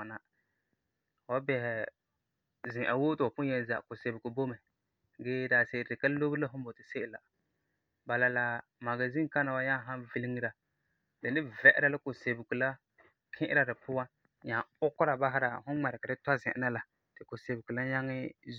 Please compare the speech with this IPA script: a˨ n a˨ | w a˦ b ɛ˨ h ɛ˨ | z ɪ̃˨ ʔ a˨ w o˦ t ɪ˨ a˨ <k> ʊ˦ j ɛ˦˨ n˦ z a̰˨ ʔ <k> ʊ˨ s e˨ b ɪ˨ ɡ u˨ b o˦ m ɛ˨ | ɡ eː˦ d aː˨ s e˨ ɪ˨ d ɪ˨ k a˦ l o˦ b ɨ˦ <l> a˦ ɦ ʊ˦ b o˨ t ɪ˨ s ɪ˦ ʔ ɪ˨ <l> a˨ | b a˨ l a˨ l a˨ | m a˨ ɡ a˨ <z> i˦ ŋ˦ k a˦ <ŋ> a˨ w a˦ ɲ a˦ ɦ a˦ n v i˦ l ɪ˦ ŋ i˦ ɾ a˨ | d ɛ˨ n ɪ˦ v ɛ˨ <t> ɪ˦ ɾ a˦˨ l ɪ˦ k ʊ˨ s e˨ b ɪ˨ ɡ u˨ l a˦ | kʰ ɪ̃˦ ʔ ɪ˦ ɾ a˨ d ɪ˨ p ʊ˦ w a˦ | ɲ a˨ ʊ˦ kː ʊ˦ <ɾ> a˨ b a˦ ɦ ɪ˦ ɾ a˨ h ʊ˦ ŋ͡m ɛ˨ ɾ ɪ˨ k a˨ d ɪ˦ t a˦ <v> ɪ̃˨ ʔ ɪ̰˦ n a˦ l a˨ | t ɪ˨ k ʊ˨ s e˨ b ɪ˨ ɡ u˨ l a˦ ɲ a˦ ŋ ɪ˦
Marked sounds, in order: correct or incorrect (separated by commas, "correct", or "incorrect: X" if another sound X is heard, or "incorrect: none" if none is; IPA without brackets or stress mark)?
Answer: incorrect: p, correct, correct, correct, correct, incorrect: n, incorrect: ʔ, correct, incorrect: z